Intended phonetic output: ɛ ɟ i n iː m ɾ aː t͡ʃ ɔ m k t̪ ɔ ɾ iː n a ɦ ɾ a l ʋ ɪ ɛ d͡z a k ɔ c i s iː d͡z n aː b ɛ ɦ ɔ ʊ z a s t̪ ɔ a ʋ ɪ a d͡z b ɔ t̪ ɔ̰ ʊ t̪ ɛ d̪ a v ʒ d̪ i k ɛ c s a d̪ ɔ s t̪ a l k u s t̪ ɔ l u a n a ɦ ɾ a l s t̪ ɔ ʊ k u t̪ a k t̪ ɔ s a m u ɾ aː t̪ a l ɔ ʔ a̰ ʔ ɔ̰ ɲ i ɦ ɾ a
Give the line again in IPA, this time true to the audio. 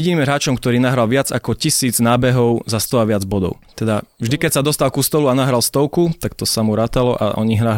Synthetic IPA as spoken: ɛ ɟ i n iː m ɾ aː t͡ʃ ɔ m k t̪ ɔ ɾ iː n a ɦ ɾ a l ʋ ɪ a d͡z a k ɔ c i s iː d͡z n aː b ɛ ɦ ɔ ʊ z a s t̪ ɔ a ʋ ɪ a d͡z b ɔ d̪ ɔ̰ ʊ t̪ ɛ d̪ a v ʒ d̪ i k ɛ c s a d̪ ɔ s t̪ a l k u s t̪ ɔ l u a n a ɦ ɾ a l s t̪ ɔ ʊ k u t̪ a k t̪ ɔ s a m u ɾ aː t̪ a l ɔ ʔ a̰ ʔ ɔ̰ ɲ i ɦ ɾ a